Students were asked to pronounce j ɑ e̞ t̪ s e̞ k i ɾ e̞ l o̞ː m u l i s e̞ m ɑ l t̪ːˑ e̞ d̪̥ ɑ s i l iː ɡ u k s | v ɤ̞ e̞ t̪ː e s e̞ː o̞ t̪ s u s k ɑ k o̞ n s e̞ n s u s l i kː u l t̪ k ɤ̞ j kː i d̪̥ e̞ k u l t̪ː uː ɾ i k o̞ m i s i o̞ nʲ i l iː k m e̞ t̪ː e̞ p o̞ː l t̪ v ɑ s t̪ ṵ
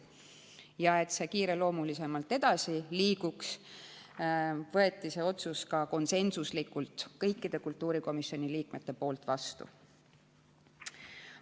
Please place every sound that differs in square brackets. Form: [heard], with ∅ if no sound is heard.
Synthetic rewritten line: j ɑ e̞ t̪ s e̞ k [iː] ɾ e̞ l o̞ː m u l i s e̞ m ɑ l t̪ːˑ e̞ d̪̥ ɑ s i l iː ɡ u k s | v ɤ̞ e̞ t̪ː [i] s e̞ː o̞ t̪ s u s k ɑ k o̞ n s e̞ n s u s l i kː u l t̪ k ɤ̞ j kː i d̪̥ e̞ k u l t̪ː uː ɾ i k o̞ m i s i o̞ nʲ i l iː k m e̞ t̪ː e̞ p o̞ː l t̪ v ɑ s t̪ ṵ